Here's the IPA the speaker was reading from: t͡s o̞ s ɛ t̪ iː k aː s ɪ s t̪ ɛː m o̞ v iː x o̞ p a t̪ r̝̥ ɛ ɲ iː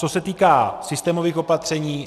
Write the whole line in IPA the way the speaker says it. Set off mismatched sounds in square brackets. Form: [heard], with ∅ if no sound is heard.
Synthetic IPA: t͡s o̞ s ɛ t̪ iː k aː s ɪ s t̪ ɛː m o̞ v iː x o̞ p a t̪ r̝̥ ɛ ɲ iː